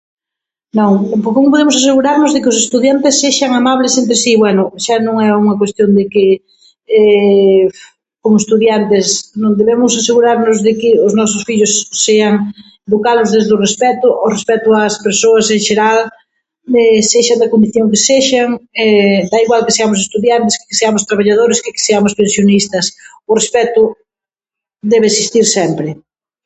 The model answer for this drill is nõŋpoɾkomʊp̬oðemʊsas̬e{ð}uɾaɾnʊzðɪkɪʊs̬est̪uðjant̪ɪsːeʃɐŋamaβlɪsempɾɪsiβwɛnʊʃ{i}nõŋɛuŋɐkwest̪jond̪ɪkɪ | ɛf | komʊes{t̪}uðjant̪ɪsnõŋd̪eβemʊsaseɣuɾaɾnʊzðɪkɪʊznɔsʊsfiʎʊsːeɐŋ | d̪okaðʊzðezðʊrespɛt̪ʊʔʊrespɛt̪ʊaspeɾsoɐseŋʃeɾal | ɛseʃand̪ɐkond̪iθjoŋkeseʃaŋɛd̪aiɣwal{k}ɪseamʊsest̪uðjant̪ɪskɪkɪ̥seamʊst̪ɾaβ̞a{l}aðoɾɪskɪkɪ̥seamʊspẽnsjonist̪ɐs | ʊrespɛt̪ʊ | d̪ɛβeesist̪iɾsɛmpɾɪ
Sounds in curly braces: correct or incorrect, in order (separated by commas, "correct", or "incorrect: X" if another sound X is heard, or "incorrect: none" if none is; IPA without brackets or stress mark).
incorrect: ɣ, incorrect: a, correct, correct, incorrect: ʎ